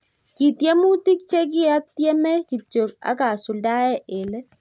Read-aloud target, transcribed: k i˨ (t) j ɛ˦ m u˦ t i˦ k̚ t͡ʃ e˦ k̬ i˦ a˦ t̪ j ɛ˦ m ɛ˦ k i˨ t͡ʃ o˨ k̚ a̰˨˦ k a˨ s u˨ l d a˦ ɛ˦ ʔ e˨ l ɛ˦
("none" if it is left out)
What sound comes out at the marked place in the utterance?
t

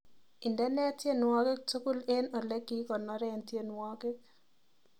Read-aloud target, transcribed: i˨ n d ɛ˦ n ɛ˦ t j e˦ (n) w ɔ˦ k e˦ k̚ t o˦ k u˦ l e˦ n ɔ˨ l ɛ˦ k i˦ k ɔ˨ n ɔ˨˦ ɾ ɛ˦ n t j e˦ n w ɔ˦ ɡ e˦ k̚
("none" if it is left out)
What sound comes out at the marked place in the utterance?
n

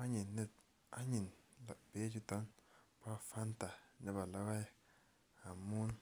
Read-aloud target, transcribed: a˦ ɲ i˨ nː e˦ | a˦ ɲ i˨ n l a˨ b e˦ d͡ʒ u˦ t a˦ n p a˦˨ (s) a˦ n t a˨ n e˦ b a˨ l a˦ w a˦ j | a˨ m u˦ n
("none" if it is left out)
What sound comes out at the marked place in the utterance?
f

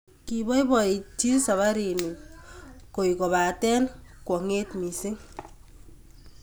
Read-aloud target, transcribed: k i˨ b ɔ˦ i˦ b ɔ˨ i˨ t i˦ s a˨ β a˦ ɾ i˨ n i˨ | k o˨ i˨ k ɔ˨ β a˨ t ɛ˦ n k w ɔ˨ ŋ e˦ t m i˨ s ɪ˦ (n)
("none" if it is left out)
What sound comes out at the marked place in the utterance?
ŋ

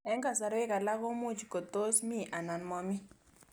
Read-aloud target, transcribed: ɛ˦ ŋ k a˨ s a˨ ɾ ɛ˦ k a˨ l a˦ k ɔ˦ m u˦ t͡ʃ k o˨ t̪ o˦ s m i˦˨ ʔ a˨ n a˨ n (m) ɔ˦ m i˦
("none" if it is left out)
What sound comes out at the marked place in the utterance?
m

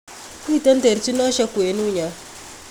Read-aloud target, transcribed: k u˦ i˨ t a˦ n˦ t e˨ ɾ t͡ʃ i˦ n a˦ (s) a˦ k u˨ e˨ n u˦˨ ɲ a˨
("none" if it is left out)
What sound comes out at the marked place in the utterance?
ʃ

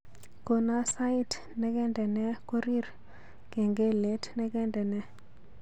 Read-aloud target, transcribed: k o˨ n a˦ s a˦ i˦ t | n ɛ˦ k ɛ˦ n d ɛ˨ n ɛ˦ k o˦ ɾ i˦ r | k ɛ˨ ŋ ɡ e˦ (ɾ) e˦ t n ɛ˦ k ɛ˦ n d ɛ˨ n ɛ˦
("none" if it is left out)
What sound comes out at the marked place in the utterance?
l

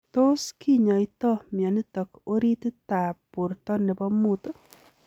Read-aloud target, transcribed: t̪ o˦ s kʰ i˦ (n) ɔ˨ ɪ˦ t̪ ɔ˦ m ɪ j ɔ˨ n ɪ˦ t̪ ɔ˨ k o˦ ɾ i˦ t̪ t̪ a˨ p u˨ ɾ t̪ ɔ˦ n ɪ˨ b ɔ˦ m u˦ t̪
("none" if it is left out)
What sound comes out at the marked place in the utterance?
ɲ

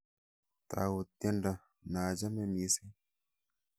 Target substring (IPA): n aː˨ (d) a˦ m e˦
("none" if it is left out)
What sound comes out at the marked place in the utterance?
d͡ʒ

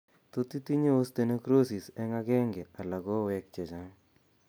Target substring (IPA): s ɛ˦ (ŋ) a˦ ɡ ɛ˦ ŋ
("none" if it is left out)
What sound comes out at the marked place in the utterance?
ŋ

